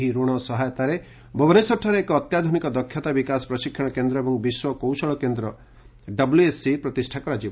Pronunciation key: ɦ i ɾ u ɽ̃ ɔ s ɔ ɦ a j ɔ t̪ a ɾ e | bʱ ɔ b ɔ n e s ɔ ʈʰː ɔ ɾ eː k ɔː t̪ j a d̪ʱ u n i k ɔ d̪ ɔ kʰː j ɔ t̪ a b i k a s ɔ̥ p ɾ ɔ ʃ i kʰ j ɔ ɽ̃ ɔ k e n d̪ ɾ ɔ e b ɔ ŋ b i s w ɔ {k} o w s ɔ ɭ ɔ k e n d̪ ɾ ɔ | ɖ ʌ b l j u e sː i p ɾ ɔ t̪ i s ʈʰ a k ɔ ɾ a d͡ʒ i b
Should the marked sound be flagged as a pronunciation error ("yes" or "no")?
no